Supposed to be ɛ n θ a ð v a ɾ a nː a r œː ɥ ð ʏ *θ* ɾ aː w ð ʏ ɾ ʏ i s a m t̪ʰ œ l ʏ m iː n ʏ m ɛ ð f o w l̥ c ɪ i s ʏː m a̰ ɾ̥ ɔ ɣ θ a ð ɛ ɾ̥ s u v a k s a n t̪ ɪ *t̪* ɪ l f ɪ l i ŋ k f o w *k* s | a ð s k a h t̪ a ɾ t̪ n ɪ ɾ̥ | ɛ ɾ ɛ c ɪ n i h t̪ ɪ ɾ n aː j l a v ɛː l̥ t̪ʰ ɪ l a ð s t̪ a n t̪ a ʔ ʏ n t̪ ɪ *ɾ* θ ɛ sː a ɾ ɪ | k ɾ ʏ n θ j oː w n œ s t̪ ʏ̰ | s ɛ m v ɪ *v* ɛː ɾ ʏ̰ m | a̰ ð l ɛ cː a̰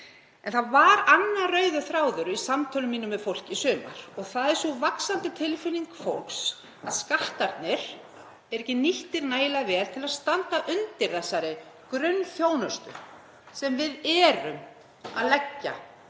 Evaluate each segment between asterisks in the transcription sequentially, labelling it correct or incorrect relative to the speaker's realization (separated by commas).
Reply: correct, incorrect, correct, correct, incorrect